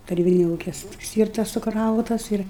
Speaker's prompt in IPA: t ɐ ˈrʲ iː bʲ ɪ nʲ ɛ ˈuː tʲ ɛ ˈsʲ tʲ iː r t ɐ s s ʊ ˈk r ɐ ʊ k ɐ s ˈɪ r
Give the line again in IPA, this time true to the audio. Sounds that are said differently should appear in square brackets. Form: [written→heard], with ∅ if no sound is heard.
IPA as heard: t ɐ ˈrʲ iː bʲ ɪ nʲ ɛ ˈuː [tʲ→kʲ] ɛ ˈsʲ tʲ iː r t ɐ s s ʊ ˈk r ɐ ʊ [k→t] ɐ s ˈɪ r